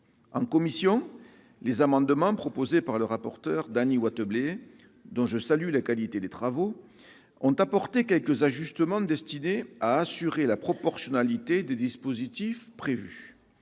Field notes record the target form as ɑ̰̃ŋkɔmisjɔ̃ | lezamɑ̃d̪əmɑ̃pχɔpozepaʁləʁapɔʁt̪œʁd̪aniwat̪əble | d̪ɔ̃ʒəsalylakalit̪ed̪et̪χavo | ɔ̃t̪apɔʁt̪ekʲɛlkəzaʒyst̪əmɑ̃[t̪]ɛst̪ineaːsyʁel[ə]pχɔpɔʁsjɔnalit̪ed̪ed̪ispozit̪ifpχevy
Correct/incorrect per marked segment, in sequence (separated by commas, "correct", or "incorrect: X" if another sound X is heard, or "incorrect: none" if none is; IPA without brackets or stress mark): incorrect: d̪, incorrect: a